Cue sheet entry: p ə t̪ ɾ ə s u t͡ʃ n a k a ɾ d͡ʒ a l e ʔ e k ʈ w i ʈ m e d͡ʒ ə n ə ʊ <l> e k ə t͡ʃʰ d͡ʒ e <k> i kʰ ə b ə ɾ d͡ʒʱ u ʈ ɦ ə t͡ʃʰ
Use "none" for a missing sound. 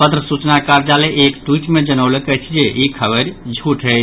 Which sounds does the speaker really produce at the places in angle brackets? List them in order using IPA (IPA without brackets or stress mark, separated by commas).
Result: l, none